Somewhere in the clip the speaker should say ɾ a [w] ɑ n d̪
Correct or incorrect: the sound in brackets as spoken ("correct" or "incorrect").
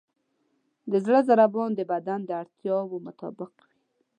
incorrect